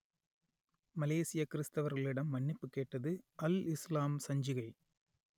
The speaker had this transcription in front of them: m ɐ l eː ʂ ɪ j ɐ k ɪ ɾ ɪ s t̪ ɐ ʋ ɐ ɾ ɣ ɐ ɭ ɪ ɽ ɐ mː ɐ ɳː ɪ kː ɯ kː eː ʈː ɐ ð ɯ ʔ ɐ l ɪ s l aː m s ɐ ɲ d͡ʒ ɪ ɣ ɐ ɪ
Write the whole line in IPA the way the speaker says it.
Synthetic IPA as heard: m ɐ l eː s ɪ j ɐ k ɪ ɾ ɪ s t̪ ɐ ʋ ɐ ɾ ɣ ɐ ɭ ɪ ɽ ɐ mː ɐ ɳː ɪ pː ɯ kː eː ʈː ɐ ð ɯ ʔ ɐ l ɪ s l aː m s ɐ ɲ d͡ʒ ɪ ɣ ɐ ɪ